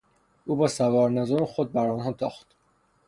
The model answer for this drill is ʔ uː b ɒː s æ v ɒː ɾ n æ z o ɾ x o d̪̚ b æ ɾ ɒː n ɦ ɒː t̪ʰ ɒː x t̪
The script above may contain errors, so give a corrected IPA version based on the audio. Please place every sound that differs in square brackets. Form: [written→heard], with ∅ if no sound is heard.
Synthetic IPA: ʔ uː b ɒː s æ v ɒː ɾ n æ z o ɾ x o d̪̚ b æ ɾ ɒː n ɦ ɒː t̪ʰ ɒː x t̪